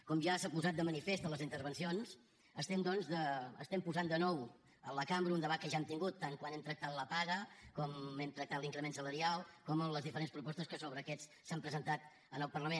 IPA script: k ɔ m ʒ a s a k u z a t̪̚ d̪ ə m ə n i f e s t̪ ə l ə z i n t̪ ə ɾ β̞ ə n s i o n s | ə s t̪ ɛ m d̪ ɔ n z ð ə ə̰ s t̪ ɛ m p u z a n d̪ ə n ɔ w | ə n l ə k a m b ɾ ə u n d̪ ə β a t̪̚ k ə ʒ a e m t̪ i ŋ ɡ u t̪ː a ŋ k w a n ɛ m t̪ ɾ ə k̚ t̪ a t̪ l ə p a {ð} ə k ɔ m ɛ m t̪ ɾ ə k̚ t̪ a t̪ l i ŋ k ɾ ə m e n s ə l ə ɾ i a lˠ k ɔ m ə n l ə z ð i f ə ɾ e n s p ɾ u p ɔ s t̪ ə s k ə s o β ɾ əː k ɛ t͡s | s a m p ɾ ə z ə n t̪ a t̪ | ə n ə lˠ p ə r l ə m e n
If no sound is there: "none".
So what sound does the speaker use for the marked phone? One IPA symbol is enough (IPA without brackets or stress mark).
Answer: ɣ